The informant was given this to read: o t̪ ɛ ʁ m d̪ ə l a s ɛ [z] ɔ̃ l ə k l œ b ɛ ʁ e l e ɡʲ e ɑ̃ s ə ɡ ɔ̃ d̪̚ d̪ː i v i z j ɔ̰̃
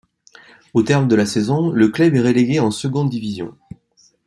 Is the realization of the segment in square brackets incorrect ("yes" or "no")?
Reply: no